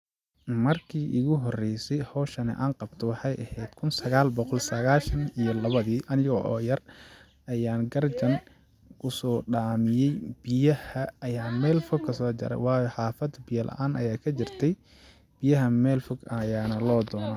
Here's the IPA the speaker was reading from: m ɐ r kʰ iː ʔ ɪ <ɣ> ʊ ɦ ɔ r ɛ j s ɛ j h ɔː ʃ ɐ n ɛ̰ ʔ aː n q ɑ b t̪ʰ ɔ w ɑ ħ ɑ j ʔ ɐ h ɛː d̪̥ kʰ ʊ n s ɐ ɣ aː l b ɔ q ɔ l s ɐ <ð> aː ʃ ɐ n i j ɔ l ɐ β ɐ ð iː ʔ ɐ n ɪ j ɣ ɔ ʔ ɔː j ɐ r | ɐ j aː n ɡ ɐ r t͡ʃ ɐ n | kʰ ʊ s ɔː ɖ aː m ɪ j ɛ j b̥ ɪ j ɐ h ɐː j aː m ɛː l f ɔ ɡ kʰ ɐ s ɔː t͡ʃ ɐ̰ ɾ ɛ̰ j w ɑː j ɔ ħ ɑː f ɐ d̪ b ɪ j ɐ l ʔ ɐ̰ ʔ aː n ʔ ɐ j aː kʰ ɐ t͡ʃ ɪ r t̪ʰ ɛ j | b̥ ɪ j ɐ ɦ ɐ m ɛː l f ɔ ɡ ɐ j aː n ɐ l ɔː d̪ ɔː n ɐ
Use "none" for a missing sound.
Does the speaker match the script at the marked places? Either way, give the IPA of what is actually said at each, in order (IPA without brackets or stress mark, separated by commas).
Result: ɣ, ɣ